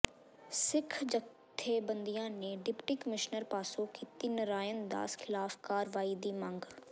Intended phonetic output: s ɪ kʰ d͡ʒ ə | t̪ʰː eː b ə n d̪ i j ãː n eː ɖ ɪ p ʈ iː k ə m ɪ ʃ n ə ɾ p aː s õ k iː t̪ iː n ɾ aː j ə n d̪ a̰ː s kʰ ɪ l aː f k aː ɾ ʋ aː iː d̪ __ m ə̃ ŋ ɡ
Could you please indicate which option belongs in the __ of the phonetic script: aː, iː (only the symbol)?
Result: iː